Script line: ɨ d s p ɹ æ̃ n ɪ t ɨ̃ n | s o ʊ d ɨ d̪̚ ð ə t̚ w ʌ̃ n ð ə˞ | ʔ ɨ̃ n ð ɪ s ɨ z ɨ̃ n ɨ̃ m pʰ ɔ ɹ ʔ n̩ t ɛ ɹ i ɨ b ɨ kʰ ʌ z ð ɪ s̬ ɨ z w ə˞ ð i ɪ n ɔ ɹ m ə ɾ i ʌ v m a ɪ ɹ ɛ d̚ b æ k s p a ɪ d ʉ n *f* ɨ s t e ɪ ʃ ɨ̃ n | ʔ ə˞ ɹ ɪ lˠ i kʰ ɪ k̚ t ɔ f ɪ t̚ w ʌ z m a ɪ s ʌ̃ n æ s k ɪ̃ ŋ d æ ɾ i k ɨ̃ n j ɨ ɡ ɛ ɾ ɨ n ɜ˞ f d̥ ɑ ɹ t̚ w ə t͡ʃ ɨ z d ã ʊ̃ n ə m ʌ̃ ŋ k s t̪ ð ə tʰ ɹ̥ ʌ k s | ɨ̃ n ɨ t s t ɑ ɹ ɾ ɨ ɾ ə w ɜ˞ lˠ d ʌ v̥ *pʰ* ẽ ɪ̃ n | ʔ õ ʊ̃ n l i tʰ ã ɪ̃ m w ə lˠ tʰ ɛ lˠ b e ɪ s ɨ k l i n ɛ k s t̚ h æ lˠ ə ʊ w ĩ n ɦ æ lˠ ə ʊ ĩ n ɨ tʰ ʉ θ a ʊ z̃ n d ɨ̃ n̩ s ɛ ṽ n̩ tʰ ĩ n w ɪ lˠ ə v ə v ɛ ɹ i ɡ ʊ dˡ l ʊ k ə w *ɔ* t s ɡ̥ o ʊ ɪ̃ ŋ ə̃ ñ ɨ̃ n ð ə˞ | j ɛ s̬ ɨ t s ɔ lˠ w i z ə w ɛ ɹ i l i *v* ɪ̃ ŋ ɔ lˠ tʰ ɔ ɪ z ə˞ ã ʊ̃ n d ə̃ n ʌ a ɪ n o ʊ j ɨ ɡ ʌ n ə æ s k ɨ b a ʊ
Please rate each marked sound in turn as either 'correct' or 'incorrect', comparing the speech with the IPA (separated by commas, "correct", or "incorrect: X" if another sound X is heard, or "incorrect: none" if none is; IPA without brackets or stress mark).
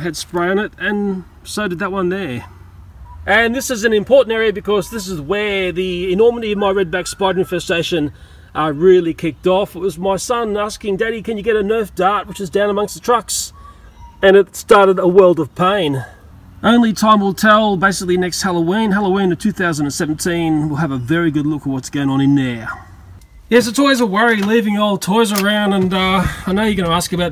correct, correct, incorrect: ʌ, correct